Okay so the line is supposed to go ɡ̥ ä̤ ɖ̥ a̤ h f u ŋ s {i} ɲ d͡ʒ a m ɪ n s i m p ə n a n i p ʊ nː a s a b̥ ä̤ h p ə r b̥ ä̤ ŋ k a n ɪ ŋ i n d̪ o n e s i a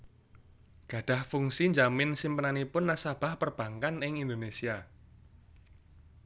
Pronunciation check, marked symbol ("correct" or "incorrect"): correct